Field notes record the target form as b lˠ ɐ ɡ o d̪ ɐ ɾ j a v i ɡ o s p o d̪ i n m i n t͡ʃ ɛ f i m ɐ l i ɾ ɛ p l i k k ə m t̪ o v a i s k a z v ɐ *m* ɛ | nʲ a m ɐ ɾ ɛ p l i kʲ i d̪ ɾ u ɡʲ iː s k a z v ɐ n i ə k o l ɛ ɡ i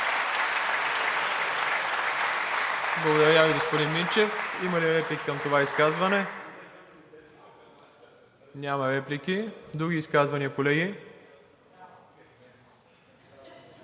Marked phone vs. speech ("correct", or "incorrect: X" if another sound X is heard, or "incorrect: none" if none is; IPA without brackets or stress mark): incorrect: n